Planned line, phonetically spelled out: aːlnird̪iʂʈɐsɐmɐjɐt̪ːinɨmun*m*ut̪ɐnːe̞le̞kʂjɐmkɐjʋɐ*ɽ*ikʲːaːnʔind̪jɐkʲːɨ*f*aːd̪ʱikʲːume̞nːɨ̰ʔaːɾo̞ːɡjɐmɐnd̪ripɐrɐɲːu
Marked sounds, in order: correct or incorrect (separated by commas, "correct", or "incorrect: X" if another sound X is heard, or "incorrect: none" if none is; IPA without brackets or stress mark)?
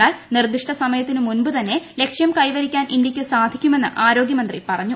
incorrect: b, incorrect: ɾ, incorrect: s